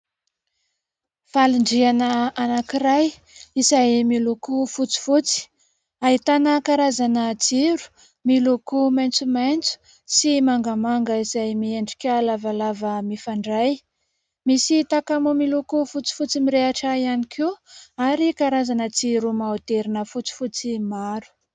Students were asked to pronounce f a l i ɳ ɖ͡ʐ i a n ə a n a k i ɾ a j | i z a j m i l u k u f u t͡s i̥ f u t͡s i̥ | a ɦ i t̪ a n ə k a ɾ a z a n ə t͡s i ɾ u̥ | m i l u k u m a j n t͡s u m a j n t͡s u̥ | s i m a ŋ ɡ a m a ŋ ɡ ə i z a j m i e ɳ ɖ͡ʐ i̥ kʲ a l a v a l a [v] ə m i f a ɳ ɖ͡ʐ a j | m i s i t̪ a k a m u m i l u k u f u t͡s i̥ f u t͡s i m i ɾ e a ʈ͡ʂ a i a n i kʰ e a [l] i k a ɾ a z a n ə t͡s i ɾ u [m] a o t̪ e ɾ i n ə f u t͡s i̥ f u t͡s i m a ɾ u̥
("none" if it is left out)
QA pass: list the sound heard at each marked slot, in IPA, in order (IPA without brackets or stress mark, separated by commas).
v, ɾ, m